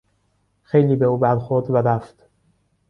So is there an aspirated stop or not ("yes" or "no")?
no